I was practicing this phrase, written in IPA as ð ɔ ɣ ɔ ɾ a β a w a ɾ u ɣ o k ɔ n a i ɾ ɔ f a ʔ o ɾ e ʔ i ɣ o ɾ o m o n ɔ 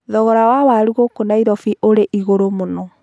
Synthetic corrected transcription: ð ɔ ɣ ɔ ɾ a w a w a ɾ u ɣ o k o n a i ɾ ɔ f i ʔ o ɾ e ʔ i ɣ o ɾ o m o n ɔ